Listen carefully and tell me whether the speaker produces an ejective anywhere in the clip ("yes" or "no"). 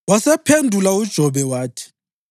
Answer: no